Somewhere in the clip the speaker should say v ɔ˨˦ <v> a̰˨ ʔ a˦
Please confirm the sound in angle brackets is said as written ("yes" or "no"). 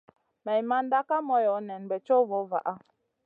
yes